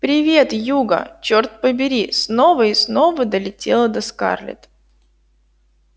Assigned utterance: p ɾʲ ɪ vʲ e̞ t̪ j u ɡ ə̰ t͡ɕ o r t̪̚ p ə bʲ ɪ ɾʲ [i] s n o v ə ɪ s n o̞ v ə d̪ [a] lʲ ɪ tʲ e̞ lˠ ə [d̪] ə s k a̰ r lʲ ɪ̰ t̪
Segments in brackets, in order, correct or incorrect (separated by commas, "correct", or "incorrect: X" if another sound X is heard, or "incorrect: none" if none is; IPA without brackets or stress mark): correct, incorrect: ə, correct